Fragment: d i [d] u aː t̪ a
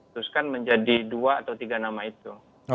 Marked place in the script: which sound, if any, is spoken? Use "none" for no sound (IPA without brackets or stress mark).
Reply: d